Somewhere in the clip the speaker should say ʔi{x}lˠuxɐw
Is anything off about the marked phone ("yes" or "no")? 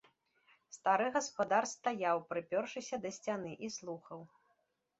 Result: yes